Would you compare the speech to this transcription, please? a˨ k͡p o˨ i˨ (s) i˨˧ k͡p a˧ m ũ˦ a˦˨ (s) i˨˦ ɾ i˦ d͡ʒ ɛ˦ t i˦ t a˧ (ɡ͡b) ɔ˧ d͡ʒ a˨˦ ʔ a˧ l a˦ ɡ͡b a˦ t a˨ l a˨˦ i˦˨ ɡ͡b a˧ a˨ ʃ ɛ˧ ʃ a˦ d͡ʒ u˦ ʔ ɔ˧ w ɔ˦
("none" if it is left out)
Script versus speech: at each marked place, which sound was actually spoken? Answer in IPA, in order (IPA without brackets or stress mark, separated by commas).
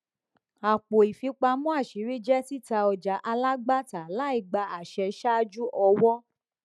f, ʃ, none